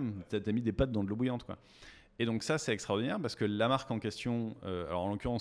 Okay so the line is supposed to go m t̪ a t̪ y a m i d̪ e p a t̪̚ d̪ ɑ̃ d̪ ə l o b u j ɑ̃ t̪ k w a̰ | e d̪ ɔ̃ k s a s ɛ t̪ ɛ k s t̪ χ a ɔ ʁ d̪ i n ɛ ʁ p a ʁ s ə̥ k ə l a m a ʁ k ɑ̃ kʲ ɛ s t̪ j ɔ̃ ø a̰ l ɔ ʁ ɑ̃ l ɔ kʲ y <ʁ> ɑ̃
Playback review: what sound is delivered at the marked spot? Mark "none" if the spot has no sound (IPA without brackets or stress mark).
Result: ʁ